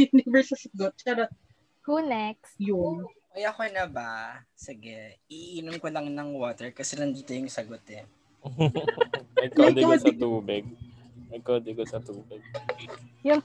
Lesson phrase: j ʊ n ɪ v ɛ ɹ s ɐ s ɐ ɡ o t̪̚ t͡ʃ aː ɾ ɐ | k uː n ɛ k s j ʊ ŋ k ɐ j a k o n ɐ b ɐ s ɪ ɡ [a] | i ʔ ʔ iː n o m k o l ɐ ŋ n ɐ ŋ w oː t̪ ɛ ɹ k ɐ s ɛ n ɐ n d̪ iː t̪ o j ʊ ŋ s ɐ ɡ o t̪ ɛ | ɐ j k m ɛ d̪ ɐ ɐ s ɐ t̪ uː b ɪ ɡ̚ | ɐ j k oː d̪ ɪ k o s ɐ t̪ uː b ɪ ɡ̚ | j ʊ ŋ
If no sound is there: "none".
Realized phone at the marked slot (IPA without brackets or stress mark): ɛ